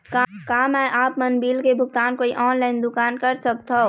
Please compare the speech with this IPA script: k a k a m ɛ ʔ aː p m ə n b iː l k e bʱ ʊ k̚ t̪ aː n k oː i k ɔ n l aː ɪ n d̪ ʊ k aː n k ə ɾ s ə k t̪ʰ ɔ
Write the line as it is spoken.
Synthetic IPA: k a k a m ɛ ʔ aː p m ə n b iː l k e bʱ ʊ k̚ t̪ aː n k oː i ʔ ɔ n l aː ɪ n d̪ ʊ k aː n k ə ɾ s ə k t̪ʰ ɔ